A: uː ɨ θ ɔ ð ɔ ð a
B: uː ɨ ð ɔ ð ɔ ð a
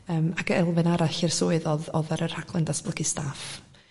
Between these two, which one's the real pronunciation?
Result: B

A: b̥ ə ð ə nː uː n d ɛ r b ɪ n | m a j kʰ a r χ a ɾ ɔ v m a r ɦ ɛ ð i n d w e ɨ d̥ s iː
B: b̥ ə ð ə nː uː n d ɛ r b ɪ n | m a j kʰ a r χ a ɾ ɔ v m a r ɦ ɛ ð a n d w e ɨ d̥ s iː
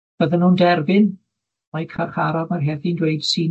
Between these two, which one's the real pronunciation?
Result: A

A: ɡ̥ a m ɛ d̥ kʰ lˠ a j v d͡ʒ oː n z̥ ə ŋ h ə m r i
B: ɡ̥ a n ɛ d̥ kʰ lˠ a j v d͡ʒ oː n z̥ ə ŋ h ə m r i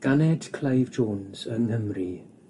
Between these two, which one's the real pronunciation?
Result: B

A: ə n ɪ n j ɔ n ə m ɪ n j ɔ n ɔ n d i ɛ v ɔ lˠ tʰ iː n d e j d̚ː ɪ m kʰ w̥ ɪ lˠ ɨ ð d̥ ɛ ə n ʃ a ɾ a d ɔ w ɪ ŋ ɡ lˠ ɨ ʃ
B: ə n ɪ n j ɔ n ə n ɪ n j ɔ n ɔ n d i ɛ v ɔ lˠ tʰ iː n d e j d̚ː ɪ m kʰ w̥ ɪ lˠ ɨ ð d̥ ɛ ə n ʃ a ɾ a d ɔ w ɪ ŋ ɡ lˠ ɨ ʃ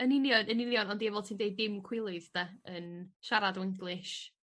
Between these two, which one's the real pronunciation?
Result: B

